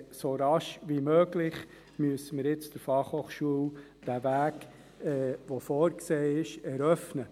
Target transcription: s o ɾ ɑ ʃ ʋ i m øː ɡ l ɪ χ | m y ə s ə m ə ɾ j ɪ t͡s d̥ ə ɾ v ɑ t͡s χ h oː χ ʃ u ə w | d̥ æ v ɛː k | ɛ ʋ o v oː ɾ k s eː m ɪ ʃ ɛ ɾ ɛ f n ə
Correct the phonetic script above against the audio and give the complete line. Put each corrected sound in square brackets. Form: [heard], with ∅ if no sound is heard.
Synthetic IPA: s o ɾ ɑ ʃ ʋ i m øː ɡ l ɪ χ | m y ə s ə m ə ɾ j ɪ t͡s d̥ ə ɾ [f] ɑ [∅] χ h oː χ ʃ u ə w | d̥ æ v [æː] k | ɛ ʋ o [f] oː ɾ k s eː [∅] ɪ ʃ ɛ ɾ [œ] f n ə